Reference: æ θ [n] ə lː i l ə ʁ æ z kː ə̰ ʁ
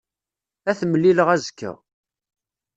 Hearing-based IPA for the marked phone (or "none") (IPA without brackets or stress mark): m